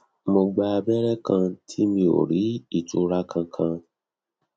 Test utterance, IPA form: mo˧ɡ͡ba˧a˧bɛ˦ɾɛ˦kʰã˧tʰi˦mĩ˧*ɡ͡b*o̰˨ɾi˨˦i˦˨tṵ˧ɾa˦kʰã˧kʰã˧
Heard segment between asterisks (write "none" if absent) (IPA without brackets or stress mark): none